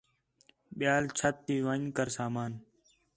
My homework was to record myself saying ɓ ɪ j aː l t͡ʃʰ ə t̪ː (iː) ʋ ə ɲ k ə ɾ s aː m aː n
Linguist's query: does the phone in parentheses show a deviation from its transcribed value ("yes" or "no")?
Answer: no